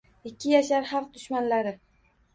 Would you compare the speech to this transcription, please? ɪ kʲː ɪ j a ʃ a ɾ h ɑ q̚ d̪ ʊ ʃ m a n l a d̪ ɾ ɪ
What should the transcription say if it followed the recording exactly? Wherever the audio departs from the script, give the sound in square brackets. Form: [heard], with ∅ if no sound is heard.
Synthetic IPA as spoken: ɪ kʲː ɪ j a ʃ a ɾ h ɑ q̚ d̪ ʊ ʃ m a n l a [∅] ɾ ɪ